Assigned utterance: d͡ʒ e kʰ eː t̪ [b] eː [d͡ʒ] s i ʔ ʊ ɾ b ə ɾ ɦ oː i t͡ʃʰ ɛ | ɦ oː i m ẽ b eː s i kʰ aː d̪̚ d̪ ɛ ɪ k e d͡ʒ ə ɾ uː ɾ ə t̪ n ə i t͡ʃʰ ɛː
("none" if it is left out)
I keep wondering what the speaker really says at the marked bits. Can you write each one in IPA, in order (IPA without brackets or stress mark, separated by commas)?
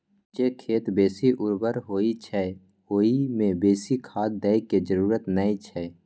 b, none